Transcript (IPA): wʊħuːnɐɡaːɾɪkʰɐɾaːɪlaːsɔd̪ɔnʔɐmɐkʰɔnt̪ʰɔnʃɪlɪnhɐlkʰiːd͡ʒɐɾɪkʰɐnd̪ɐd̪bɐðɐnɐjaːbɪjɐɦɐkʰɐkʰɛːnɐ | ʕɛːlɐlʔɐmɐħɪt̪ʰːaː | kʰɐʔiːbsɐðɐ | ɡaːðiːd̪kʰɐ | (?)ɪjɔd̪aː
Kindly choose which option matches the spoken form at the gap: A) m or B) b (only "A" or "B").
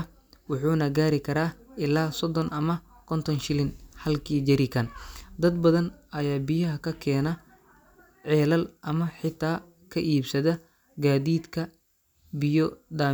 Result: B